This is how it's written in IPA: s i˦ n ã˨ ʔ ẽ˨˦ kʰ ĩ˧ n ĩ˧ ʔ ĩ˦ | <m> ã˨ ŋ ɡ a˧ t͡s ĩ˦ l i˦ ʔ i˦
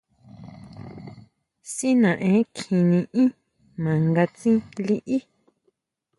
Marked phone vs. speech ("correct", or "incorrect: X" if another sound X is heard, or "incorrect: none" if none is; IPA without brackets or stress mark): correct